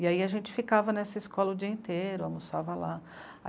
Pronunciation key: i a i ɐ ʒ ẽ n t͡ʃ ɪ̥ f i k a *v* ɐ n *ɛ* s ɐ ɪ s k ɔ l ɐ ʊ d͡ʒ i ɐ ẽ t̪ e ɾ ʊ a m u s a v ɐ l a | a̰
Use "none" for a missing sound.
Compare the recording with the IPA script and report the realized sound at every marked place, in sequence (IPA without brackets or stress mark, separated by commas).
v, ɛ